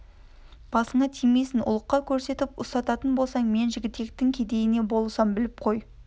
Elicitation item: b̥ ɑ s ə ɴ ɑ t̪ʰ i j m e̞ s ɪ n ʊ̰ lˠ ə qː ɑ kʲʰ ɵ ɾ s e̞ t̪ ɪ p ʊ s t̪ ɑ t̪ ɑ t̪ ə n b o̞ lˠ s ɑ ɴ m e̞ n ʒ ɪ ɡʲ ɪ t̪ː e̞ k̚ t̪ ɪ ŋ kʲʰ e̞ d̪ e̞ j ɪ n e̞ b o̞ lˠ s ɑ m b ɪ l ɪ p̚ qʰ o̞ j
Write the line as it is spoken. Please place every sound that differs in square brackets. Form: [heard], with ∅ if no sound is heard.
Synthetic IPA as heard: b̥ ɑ s ə ɴ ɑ t̪ʰ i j m e̞ s ɪ n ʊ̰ lˠ ə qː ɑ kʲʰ ɵ ɾ s e̞ t̪ ɪ p ʊ s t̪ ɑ t̪ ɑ t̪ ə n b o̞ lˠ s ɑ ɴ m e̞ n ʒ ɪ ɡʲ ɪ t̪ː e̞ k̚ t̪ ɪ ŋ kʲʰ e̞ d̪ e̞ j ɪ n e̞ b o̞ lˠ s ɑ m b ɪ l ɪ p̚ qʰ o̞ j